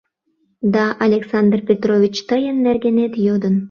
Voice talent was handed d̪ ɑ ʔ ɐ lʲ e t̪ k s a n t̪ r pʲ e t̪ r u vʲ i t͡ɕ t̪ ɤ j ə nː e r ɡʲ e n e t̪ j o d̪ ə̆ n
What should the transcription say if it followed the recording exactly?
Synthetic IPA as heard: d̪ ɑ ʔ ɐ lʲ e k s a n d̪ r pʲ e t̪ r o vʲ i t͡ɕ t̪ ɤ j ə nː æ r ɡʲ e n e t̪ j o d̪ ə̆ n